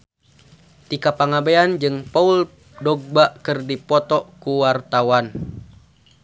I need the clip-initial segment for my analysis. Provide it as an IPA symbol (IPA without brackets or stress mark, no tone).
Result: t̪